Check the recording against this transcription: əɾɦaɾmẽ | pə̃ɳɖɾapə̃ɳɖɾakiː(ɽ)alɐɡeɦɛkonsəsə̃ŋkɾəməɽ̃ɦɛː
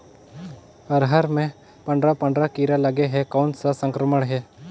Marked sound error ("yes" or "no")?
yes